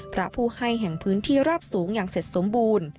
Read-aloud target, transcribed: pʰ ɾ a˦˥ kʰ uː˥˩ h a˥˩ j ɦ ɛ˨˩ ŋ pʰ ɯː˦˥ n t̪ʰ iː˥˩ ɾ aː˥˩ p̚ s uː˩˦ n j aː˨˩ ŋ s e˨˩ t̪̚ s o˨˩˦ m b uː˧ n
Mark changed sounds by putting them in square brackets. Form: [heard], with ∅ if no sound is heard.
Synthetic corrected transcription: pʰ ɾ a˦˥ [pʰ] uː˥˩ h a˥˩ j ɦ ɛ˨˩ ŋ pʰ ɯː˦˥ n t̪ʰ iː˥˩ ɾ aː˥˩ p̚ s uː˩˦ [ŋ] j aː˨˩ ŋ s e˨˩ t̪̚ s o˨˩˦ m b uː˧ n